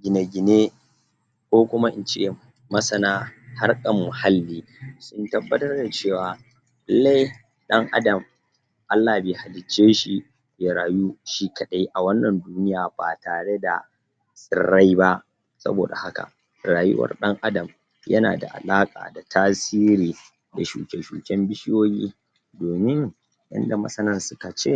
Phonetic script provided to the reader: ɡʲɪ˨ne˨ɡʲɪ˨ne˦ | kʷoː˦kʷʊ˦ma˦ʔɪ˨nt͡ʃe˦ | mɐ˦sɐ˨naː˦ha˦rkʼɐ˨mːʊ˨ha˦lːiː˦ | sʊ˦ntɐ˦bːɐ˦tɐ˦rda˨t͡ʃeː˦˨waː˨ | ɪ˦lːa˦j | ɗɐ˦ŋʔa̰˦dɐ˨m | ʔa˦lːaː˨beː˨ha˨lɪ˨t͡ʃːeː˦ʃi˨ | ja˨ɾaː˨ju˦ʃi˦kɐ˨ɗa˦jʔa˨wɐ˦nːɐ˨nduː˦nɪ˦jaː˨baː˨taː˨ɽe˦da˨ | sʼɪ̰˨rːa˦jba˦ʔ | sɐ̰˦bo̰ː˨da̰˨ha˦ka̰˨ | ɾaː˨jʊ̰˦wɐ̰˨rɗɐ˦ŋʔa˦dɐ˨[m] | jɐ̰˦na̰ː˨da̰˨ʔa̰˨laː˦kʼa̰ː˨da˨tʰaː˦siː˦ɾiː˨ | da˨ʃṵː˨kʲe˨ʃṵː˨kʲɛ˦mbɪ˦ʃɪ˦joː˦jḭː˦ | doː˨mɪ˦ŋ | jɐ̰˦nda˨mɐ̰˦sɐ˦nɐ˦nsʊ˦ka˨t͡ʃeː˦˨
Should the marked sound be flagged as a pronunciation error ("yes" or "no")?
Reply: no